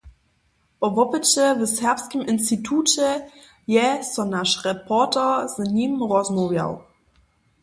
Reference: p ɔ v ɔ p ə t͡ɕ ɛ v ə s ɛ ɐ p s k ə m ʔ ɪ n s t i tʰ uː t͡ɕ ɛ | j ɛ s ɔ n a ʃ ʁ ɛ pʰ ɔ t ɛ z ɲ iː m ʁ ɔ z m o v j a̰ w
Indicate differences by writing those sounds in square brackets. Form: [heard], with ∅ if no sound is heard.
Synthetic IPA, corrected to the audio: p ɔ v ɔ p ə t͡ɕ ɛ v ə s ɛ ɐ p s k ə m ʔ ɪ n s t i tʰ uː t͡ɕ ɛ | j ɛ s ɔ n a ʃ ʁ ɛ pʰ ɔ t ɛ z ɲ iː m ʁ ɔ z m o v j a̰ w